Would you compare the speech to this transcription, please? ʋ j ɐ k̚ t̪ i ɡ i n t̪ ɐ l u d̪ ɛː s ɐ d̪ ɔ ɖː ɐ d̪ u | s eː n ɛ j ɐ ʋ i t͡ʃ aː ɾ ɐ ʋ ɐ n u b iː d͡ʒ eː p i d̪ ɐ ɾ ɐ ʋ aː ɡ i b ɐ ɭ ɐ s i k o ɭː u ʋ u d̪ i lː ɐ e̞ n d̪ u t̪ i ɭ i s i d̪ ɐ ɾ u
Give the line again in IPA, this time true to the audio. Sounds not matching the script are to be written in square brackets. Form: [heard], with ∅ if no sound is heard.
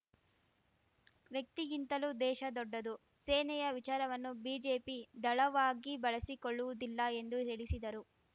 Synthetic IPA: ʋ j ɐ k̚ t̪ i ɡ i n t̪ ɐ l u d̪ ɛː [ʃ] ɐ d̪ ɔ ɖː ɐ d̪ u | s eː n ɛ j ɐ ʋ i t͡ʃ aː ɾ ɐ ʋ ɐ [nː] u b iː d͡ʒ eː p i d̪ ɐ [ɭ] ɐ ʋ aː ɡ i b ɐ ɭ ɐ s i k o ɭː u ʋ u d̪ i lː ɐ e̞ n d̪ u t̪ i ɭ i s i d̪ ɐ ɾ u